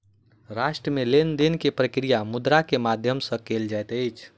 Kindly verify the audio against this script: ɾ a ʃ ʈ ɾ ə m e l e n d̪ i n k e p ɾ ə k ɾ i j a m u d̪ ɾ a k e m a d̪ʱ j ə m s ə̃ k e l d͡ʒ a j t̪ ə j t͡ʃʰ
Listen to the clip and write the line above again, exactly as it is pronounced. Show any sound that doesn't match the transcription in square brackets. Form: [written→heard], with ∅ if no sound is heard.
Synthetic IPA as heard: ɾ a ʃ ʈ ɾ ə m e l e n d̪ i n k e p ɾ ə k ɾ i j a m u d̪ ɾ a k e m a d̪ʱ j ə m s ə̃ k e l d͡ʒ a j t̪ ə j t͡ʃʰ